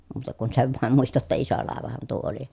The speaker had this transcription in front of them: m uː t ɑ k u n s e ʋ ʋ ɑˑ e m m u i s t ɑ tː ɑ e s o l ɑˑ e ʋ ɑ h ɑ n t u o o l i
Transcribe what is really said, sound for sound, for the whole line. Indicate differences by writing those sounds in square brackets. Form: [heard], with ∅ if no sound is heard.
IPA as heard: m uː t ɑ k u n s e ʋ ʋ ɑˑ e m m u i s t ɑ tː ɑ [i] s o l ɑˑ e ʋ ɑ h ɑ n t u o o l i